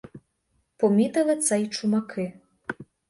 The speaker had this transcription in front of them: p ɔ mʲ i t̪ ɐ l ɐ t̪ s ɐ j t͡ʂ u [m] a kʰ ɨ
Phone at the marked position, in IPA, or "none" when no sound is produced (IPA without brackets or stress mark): m